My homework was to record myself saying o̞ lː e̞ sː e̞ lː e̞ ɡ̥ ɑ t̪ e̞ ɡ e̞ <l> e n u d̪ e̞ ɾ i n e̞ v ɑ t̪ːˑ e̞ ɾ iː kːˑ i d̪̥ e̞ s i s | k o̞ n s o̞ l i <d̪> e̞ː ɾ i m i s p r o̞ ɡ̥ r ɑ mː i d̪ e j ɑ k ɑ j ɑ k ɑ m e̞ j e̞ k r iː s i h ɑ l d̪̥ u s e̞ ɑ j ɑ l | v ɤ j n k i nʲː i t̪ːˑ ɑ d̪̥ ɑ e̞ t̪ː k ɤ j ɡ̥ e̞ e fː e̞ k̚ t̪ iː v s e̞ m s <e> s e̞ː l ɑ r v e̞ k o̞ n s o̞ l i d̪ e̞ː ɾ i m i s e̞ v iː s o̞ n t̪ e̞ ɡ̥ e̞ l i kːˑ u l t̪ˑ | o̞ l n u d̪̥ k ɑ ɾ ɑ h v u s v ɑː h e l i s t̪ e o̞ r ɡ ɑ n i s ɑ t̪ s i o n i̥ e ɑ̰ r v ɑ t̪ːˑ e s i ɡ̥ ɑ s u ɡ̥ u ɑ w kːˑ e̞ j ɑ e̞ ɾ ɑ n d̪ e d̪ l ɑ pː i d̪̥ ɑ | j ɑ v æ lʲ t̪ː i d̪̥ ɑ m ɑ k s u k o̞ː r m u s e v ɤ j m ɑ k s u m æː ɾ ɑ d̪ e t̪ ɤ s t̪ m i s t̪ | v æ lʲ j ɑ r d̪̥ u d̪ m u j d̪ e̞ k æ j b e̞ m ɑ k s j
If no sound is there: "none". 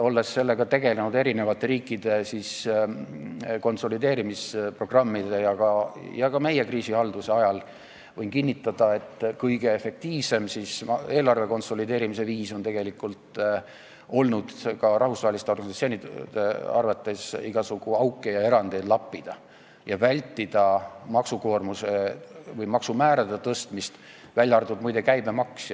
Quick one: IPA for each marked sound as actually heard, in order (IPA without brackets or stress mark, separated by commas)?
l, d̪, i